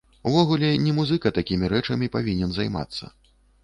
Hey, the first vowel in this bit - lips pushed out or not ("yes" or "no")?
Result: yes